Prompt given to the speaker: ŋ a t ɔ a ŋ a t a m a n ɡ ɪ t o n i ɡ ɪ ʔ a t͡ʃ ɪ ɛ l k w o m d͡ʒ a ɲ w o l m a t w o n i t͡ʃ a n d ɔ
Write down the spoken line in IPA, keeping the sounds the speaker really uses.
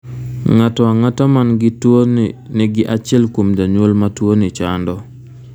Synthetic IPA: ŋ a t ɔ a ŋ a t a m a n ɡ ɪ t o n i ɡ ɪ ʔ a t͡ʃ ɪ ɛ l k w o m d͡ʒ a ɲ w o l m a t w o n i t͡ʃ a n d ɔ